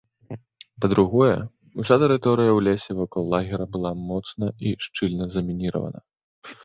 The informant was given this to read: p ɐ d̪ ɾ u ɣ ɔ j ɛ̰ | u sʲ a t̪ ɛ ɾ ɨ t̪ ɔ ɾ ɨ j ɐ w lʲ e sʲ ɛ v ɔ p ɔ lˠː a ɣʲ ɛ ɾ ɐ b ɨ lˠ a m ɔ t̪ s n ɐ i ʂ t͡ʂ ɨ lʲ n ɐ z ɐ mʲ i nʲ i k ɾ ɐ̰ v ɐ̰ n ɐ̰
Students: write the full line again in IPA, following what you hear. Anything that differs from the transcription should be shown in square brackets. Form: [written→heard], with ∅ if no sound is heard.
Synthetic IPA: p ɐ d̪ ɾ u ɣ ɔ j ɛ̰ | u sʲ a t̪ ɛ ɾ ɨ t̪ ɔ ɾ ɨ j ɐ w lʲ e sʲ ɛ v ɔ [p→k] ɔ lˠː a ɣʲ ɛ ɾ ɐ b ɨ lˠ a m ɔ t̪ s n ɐ i ʂ t͡ʂ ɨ lʲ n ɐ z ɐ mʲ i nʲ i [k→∅] ɾ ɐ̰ v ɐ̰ n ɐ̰

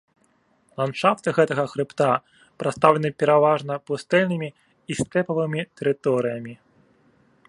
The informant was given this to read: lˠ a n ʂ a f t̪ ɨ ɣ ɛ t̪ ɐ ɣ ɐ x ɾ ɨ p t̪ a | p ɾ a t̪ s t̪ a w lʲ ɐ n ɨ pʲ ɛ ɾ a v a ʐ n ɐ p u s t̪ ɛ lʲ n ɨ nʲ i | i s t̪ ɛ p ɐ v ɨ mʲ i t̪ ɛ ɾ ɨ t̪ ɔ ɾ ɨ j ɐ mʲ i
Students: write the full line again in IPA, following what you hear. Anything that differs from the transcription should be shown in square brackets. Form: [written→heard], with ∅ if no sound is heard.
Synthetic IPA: lˠ a n ʂ a f t̪ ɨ ɣ ɛ t̪ ɐ ɣ ɐ x ɾ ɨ p t̪ a | p ɾ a t̪ s t̪ a w lʲ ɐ n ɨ pʲ ɛ ɾ a v a ʐ n ɐ p u s t̪ ɛ lʲ n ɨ [nʲ→mʲ] i | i s t̪ ɛ p ɐ v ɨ mʲ i t̪ ɛ ɾ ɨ t̪ ɔ ɾ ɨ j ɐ mʲ i

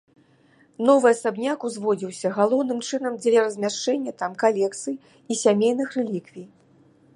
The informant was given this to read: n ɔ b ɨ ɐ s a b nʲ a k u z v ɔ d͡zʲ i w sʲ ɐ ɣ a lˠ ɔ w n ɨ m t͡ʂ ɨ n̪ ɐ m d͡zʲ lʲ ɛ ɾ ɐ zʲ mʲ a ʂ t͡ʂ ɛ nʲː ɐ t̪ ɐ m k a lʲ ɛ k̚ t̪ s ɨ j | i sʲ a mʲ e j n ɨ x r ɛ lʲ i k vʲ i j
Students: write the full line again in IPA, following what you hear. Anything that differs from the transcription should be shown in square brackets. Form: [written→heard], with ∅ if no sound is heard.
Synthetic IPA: n ɔ [b→v] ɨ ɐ s a b nʲ a k u z v ɔ d͡zʲ i w sʲ ɐ ɣ a lˠ ɔ w n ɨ m t͡ʂ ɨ n̪ ɐ m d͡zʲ lʲ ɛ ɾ ɐ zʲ mʲ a ʂ t͡ʂ ɛ nʲː ɐ t̪ [ɐ→a] m k a lʲ ɛ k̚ t̪ s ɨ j | i sʲ a mʲ e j n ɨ x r ɛ lʲ i k vʲ i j

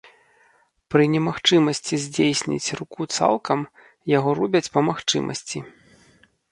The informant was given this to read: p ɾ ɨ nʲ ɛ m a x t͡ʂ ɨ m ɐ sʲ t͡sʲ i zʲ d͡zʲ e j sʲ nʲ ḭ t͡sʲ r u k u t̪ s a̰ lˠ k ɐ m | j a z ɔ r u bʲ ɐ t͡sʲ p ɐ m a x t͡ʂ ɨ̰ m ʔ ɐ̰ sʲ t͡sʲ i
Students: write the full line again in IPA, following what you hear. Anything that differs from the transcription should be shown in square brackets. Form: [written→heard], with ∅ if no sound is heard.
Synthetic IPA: p ɾ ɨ nʲ ɛ m a x t͡ʂ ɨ m ɐ sʲ t͡sʲ i zʲ d͡zʲ e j sʲ nʲ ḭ t͡sʲ r u k u t̪ s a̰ lˠ k ɐ m | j a [z→ɣ] ɔ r u bʲ ɐ t͡sʲ p ɐ m a x t͡ʂ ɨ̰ m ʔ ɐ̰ sʲ t͡sʲ i

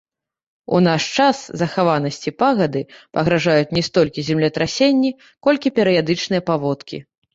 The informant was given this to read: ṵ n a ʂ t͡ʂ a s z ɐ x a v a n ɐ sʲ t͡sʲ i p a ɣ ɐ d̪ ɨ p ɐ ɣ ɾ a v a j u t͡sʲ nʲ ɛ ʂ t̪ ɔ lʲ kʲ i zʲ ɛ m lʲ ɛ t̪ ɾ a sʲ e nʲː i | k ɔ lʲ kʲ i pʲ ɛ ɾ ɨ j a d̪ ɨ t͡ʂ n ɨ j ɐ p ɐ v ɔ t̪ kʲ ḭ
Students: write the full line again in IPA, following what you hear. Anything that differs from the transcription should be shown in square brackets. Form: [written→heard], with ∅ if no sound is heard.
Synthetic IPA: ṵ n a ʂ t͡ʂ a s z ɐ x a v a n ɐ sʲ t͡sʲ i p a ɣ ɐ d̪ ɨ p ɐ ɣ ɾ a [v→ʐ] a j u t͡sʲ nʲ ɛ [ʂ→s] t̪ ɔ lʲ kʲ i zʲ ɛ m lʲ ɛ t̪ ɾ a sʲ e nʲː i | k ɔ lʲ kʲ i pʲ ɛ ɾ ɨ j a d̪ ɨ t͡ʂ n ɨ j ɐ p [ɐ→a] v ɔ t̪ kʲ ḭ

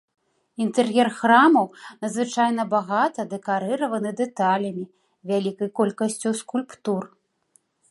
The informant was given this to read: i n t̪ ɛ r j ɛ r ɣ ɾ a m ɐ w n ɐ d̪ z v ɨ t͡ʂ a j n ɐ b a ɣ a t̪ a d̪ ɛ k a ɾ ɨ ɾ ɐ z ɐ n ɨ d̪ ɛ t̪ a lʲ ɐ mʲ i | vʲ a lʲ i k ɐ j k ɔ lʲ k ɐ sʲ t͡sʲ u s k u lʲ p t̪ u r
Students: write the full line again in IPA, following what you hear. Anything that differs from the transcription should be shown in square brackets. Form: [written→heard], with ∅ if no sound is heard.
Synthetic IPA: i n t̪ ɛ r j ɛ r [ɣ→x] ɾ a m ɐ w n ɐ d̪ z v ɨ t͡ʂ a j n ɐ b a ɣ a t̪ [a→ɐ] d̪ ɛ k a ɾ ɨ ɾ ɐ [z→v] ɐ n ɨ d̪ ɛ t̪ a lʲ ɐ mʲ i | vʲ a lʲ i k ɐ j k ɔ lʲ k ɐ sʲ t͡sʲ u s k u lʲ p t̪ u r

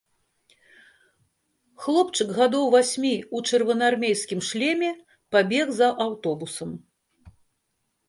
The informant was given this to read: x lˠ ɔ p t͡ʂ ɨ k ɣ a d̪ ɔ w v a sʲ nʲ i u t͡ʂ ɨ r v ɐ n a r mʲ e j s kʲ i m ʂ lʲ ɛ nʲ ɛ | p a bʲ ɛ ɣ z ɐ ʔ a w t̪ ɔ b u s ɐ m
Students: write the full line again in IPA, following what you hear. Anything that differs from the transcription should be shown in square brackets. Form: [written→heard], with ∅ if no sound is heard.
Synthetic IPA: x lˠ ɔ p t͡ʂ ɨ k ɣ a d̪ ɔ w v a sʲ [nʲ→mʲ] i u t͡ʂ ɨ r v ɐ n a r mʲ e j s kʲ i m ʂ lʲ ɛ [nʲ→mʲ] ɛ | p a bʲ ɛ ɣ z ɐ ʔ a w t̪ ɔ b u s ɐ m

